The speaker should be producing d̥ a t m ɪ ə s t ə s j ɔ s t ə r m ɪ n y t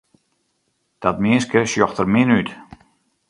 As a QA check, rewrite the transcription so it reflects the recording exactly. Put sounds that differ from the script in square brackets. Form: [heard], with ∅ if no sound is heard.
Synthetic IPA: d̥ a t m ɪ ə s [k] ə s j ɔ [x] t ə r m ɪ n y t